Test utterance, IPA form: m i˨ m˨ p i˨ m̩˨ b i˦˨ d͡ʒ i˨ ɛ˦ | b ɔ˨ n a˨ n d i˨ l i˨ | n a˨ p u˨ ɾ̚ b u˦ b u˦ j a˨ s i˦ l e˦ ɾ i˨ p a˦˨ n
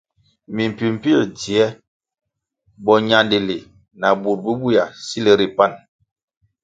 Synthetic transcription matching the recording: m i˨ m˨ p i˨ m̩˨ p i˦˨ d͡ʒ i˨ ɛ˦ | b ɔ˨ ɲ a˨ n d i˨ l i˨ | n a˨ b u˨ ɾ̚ b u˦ b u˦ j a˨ s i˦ l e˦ ɾ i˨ p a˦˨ n